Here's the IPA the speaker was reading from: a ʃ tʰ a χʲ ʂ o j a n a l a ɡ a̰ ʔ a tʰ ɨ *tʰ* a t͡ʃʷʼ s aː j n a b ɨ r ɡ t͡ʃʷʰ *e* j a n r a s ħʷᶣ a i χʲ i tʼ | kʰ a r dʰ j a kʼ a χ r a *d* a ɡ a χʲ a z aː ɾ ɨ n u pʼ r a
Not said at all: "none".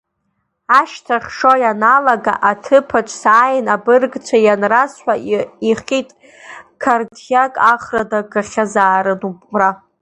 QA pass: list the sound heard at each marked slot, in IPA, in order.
pʰ, a, d

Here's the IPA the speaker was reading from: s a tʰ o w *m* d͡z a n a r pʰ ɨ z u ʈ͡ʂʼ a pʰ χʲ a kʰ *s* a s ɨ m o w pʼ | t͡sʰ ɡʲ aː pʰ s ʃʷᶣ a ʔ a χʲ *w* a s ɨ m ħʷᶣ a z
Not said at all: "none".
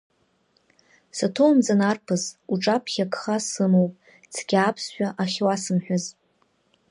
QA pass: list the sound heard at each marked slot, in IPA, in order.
m, χ, w

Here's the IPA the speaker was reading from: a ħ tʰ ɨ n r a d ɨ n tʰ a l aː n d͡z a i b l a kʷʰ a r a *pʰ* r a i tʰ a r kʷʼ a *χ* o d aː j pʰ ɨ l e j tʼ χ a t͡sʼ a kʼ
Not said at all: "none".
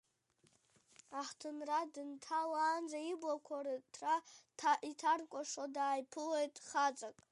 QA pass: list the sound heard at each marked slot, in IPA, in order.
tʰ, ʂ

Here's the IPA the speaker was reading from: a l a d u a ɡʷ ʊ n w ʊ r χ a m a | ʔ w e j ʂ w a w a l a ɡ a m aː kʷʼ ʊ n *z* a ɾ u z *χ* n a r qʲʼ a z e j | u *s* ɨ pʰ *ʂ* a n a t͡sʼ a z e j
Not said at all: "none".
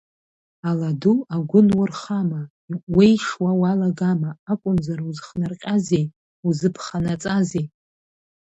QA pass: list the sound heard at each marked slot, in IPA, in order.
z, χ, z, χ

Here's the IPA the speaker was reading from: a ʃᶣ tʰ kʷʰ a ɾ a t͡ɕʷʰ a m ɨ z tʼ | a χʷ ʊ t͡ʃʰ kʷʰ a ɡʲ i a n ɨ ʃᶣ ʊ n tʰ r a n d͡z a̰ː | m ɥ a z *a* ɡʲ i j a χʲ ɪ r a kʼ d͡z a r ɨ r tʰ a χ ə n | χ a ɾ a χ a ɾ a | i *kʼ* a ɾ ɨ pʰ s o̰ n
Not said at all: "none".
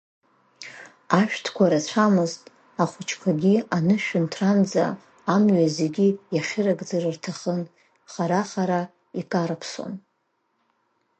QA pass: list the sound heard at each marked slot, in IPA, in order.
e, kʼ

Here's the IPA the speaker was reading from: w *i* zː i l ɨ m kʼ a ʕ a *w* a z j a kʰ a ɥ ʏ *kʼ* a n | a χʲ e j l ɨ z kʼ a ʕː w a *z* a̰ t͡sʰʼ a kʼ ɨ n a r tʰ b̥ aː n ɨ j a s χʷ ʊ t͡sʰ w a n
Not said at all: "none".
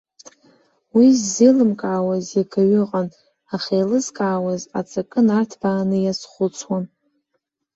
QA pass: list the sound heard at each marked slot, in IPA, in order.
i, w, qʼ, z

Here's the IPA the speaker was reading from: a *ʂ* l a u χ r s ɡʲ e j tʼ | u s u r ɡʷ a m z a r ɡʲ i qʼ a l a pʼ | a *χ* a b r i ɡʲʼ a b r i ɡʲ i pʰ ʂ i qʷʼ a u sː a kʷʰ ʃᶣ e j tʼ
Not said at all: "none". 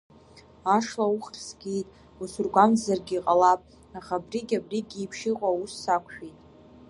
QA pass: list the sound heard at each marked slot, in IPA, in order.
ʂ, χ

